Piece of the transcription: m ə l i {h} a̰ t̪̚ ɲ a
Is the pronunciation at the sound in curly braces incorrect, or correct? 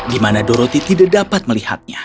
correct